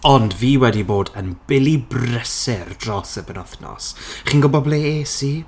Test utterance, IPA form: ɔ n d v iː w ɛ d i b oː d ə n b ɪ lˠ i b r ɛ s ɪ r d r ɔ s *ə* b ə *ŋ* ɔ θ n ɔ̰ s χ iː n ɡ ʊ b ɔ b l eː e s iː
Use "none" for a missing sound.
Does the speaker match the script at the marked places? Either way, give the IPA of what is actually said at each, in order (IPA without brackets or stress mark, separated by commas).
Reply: ə, n